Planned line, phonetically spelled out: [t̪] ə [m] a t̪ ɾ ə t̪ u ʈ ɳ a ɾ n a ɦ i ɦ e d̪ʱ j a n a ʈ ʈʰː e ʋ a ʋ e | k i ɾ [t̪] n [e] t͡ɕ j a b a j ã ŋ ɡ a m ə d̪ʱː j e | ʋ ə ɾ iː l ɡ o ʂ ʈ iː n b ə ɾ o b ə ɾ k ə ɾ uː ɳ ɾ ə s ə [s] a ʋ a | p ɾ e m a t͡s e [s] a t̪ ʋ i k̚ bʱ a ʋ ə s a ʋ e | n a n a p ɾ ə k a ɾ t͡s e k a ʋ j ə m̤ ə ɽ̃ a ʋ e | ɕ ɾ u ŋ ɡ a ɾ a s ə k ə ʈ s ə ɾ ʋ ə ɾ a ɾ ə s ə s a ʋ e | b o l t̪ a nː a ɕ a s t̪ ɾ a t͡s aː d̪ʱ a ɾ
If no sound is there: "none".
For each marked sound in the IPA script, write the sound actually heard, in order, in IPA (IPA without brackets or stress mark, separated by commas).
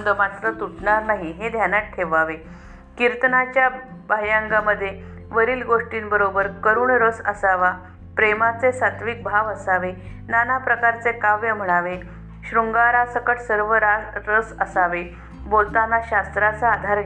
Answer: d̪, m, t̪, a, s, s